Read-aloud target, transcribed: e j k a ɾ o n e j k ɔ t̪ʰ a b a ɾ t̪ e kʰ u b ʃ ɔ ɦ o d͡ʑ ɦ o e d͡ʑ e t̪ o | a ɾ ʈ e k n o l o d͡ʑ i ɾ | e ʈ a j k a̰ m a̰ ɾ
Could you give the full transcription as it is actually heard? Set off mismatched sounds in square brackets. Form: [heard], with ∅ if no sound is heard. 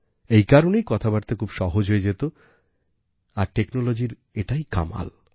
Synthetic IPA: e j k a ɾ o n e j k ɔ t̪ʰ a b a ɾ t̪ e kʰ u b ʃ ɔ ɦ o d͡ʑ ɦ o e d͡ʑ e t̪ o | a ɾ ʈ e k n o l o d͡ʑ i ɾ | e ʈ a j k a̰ m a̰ [l]